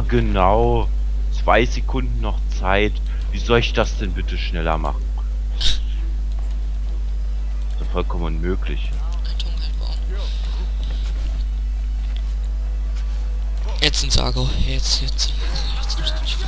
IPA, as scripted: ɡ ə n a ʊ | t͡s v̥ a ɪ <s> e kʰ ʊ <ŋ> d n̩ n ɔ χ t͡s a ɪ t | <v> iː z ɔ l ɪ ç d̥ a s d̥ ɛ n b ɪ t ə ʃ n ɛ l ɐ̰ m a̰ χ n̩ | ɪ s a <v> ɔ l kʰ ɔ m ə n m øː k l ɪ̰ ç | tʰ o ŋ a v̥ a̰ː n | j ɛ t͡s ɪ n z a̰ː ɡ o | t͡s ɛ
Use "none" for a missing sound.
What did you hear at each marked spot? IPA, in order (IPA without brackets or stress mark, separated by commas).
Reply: z, n, v, f